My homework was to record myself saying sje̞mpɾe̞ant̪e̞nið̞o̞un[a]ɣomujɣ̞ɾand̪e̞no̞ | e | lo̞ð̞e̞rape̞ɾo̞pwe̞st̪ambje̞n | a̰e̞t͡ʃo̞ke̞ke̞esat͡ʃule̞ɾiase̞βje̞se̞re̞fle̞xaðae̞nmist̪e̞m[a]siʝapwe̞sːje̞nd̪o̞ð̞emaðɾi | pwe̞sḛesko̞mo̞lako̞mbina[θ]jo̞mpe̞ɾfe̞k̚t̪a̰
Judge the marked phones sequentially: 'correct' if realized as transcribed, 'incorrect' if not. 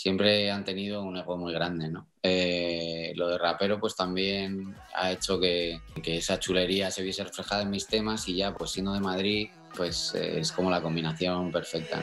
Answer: incorrect: e, correct, correct

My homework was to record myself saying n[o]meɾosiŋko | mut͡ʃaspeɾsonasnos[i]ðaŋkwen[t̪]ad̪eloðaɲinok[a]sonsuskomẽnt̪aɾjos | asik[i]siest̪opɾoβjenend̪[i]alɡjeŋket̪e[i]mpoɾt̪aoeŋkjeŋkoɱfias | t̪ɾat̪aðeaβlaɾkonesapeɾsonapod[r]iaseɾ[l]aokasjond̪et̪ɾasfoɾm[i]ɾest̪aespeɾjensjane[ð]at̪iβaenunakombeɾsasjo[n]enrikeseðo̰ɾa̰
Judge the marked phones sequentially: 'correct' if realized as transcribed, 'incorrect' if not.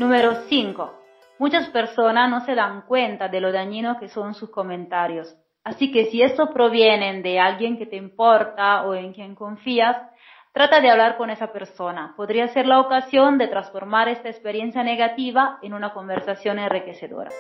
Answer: incorrect: u, incorrect: e, correct, incorrect: e, incorrect: e, incorrect: e, correct, incorrect: ɾ, correct, incorrect: a, incorrect: ɣ, correct

